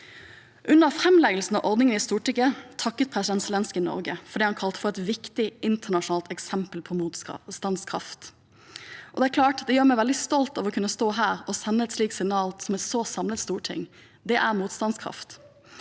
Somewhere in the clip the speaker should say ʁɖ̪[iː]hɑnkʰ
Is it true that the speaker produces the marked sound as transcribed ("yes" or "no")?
yes